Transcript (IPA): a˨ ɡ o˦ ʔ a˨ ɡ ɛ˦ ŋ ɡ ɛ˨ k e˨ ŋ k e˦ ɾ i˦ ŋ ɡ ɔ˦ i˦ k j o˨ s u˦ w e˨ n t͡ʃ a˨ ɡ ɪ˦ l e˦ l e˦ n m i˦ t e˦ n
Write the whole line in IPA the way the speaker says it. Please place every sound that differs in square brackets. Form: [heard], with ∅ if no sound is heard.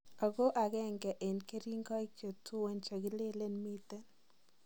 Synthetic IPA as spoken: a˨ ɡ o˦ ʔ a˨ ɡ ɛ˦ ŋ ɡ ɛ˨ [ʔ] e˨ [n] k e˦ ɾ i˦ ŋ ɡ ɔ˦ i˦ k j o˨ [t] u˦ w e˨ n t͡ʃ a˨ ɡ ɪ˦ l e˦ l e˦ n m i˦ t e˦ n